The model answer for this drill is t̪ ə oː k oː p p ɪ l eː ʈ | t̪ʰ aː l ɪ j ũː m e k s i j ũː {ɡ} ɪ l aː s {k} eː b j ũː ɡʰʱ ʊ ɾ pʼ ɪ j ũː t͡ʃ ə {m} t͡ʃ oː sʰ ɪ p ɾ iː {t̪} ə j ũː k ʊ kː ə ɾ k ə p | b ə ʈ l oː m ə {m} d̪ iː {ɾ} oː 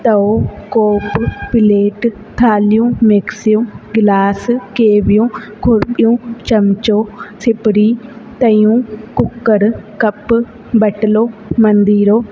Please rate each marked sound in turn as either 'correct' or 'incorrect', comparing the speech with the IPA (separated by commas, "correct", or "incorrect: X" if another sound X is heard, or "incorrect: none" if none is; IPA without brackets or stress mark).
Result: correct, correct, correct, correct, incorrect: n, correct